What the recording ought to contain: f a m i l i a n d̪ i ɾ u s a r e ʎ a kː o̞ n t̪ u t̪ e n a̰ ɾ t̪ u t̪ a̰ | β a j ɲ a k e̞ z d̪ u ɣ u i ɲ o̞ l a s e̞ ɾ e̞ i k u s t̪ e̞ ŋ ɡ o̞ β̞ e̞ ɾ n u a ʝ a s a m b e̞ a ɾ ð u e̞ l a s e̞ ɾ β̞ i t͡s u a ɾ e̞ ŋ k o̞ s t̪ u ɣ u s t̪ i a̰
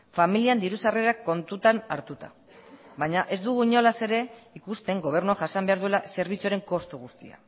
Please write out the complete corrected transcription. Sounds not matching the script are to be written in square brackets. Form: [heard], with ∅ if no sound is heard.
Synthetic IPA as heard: f a m i l i a n d̪ i ɾ u s a r e [ɾ] a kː o̞ n t̪ u t̪ [a] n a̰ ɾ t̪ u t̪ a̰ | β a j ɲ a [ʔ] e̞ z d̪ u ɣ u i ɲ o̞ l a s e̞ ɾ e̞ i k u s t̪ e̞ ŋ ɡ o̞ β̞ e̞ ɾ n u a ʝ a s a m b e̞ a ɾ ð u e̞ l a s e̞ ɾ β̞ i t͡s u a ɾ e̞ ŋ k o̞ s t̪ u ɣ u s t̪ i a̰

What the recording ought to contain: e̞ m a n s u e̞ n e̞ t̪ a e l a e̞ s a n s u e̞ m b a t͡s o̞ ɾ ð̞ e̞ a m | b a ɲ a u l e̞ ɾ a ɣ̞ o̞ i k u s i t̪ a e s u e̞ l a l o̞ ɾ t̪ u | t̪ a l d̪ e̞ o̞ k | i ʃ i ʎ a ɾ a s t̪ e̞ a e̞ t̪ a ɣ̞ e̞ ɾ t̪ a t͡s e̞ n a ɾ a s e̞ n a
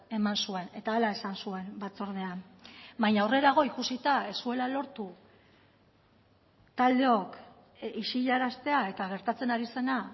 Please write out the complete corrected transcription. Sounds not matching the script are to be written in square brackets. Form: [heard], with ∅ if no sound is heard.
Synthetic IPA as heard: e̞ m a n s u e̞ n e̞ t̪ a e l a e̞ s a n s u e̞ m b a t͡s o̞ ɾ ð̞ e̞ a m | b a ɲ a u [r] e̞ ɾ a ɣ̞ o̞ i k u s i t̪ a e s u e̞ l a l o̞ ɾ t̪ u | t̪ a l d̪ e̞ o̞ k | i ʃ i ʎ a ɾ a s t̪ e̞ a e̞ t̪ a ɣ̞ e̞ ɾ t̪ a t͡s e̞ n a ɾ [i] s e̞ n a

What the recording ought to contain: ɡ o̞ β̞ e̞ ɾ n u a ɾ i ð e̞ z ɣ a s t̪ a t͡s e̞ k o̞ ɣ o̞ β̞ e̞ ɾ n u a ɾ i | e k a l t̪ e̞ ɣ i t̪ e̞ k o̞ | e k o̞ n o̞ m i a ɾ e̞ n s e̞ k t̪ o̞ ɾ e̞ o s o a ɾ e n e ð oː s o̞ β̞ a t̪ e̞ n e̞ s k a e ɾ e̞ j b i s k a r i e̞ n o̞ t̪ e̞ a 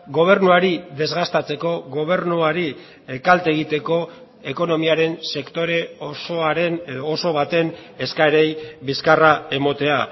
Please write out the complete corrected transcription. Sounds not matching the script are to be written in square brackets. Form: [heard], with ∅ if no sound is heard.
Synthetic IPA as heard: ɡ o̞ β̞ e̞ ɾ n u a ɾ i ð e̞ z ɣ a s t̪ a t͡s e̞ k o̞ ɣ o̞ β̞ e̞ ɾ n u a ɾ i | e k a l t̪ e̞ ɣ i t̪ e̞ k o̞ | e k o̞ n o̞ m i a ɾ e̞ n s e̞ k t̪ o̞ ɾ e̞ o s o a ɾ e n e ð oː s o̞ β̞ a t̪ e̞ n e̞ s k a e ɾ e̞ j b i s k a r [a] e̞ [m] o̞ t̪ e̞ a

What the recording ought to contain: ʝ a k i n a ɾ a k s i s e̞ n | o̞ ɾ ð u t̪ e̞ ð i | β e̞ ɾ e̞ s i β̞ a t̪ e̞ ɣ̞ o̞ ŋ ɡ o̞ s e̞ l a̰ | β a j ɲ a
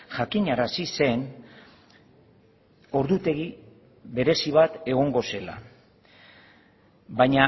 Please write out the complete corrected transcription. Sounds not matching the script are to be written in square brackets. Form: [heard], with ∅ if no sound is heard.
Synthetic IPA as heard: ʝ a k i [ɲ] a ɾ a [∅] s i s e̞ n | o̞ ɾ ð u t̪ e̞ [ɣ] i | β e̞ ɾ e̞ s i β̞ a t̪ e̞ ɣ̞ o̞ ŋ ɡ o̞ s e̞ l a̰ | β a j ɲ a

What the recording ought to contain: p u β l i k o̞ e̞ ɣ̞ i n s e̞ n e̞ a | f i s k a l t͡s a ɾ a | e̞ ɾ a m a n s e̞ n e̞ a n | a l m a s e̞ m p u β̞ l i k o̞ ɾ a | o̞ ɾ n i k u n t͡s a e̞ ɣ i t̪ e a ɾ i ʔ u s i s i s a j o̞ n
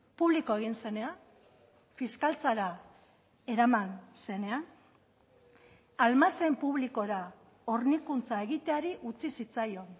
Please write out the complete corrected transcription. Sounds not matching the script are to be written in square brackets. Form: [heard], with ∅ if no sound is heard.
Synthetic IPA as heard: p u β l i k o̞ e̞ ɣ̞ i n s e̞ n e̞ a | f i s k a l t͡s a ɾ a | e̞ ɾ a m a n s e̞ n e̞ a n | a l m a s e̞ m p u β̞ l i k o̞ ɾ a | o̞ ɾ n i k u n t͡s a e̞ ɣ i t̪ e a ɾ i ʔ u [t͡s] i s i [t͡s] a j o̞ n

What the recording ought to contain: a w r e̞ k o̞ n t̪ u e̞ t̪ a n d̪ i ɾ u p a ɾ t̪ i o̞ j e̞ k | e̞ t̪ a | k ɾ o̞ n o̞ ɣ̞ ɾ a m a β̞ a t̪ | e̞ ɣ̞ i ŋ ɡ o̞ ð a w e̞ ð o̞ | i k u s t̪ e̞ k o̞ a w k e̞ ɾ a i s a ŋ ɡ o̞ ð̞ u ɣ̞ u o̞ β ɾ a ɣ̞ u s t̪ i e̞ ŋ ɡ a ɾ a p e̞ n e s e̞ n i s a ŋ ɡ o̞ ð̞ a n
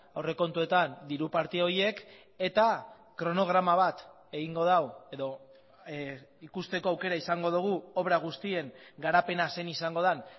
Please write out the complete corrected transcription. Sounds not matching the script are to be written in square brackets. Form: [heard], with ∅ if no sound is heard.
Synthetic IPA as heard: a w r e̞ k o̞ n t̪ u e̞ t̪ a n d̪ i ɾ u p a ɾ t̪ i o̞ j e̞ k | e̞ t̪ a | k ɾ o̞ n o̞ ɣ̞ ɾ a m a β̞ a t̪ | e̞ ɣ̞ i ŋ ɡ o̞ ð a w e̞ ð o̞ | i k u s t̪ e̞ k o̞ a w k e̞ ɾ a i s a ŋ ɡ o̞ ð̞ u ɣ̞ u o̞ β ɾ a ɣ̞ u s t̪ i e̞ ŋ ɡ a ɾ a p e̞ n [a] s e̞ n i s a ŋ ɡ o̞ ð̞ a n

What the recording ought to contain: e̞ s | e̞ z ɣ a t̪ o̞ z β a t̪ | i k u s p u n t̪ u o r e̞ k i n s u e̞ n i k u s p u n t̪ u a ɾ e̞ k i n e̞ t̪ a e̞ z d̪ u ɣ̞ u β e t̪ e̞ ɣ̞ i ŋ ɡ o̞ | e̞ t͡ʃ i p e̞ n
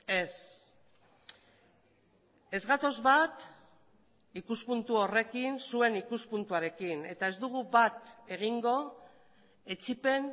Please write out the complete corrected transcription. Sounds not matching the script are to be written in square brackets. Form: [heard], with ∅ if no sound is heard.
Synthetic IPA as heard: e̞ s | e̞ z ɣ a t̪ o̞ z β a t̪ | i k u s p u n t̪ u o r e̞ k i n s u e̞ n i k u s p u n t̪ u a ɾ e̞ k i n e̞ t̪ a e̞ z d̪ u ɣ̞ u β [a] t̪ e̞ ɣ̞ i ŋ ɡ o̞ | e̞ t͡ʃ i p e̞ n

